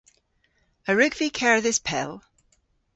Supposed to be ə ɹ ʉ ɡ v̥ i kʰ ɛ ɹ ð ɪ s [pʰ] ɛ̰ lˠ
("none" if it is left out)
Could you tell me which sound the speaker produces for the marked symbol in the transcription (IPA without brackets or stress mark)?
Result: pʰ